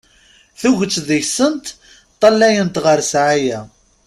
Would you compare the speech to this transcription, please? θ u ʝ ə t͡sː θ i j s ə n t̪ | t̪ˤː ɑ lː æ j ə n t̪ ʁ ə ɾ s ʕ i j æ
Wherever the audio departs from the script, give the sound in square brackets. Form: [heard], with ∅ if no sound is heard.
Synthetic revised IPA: θ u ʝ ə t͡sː [ð] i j s ə n t̪ | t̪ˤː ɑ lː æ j ə n t̪ ʁ ə ɾ s ʕ [a] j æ